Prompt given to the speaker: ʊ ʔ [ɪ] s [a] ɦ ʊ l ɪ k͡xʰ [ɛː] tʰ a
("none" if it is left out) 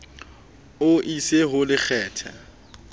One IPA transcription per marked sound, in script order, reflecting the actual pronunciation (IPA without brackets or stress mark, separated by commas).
i, e, ɛː